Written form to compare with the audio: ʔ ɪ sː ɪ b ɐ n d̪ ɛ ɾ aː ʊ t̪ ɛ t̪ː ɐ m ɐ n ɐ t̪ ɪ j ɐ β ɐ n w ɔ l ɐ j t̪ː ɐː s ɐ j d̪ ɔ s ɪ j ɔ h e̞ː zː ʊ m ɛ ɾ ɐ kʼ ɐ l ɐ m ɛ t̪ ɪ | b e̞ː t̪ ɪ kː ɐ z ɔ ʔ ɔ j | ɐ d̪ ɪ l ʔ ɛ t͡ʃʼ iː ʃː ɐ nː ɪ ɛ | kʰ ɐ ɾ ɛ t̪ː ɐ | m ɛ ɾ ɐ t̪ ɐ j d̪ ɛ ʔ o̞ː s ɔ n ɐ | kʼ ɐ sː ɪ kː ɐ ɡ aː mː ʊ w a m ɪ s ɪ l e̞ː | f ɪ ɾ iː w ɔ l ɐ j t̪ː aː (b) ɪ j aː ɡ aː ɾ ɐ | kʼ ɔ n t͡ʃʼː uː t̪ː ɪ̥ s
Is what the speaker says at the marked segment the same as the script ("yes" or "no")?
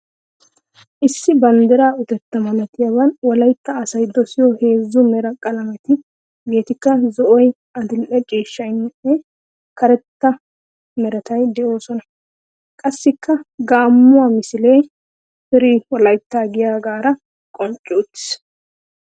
no